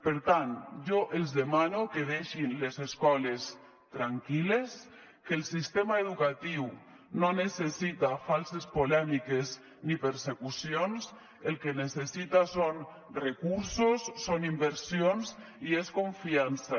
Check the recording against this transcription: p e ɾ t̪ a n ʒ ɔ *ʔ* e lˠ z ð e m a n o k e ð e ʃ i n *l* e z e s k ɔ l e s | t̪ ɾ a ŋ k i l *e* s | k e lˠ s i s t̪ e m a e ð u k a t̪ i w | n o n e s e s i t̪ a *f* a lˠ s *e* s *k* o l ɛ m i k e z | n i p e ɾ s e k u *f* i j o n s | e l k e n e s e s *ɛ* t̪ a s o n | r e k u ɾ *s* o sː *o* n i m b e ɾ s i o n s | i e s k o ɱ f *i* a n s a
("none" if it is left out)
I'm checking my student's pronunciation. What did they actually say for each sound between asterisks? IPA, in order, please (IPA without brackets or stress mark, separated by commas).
ʔ, l, e, f, e, p, s, i, s, o, i